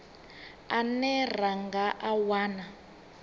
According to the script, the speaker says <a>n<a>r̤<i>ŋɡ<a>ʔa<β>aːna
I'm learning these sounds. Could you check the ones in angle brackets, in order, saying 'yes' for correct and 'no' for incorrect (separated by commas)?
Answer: yes, no, no, yes, no